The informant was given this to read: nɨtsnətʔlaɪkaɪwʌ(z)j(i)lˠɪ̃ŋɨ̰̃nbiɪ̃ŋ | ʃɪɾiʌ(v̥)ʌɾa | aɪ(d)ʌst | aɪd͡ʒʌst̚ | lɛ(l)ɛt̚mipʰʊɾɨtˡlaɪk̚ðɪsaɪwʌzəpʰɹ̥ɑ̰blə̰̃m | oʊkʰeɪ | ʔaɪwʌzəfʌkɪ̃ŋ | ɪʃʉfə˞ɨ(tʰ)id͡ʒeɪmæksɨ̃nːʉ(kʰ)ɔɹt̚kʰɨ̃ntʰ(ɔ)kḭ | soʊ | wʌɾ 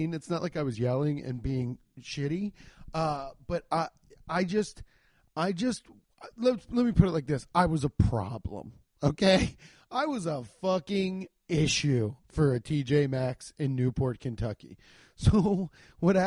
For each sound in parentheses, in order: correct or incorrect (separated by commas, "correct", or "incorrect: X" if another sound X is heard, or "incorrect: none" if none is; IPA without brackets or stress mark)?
correct, incorrect: ɛ, incorrect: b̥, incorrect: d͡ʒ, correct, correct, incorrect: pʰ, incorrect: ʌ